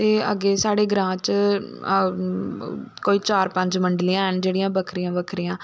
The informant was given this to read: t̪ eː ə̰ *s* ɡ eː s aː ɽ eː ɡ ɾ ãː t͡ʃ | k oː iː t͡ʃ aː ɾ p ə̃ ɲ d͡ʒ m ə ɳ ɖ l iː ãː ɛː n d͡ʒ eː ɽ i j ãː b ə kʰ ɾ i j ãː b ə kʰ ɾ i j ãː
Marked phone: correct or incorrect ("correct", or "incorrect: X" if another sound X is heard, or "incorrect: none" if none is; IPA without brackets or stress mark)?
incorrect: none